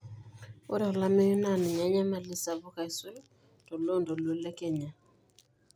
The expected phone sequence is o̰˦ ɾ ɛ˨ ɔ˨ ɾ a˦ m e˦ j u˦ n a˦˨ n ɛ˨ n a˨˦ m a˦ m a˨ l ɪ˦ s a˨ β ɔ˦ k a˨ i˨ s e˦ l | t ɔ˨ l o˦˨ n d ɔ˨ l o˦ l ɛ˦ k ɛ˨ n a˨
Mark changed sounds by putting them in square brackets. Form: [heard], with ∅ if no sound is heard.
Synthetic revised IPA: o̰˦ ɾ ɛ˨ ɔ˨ [l] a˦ m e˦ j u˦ n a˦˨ n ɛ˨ [ɲ] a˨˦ [ɲ] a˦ m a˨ l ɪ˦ s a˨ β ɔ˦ k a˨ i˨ s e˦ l | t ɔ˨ l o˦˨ n d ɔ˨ l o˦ l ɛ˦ k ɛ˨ [ɲ] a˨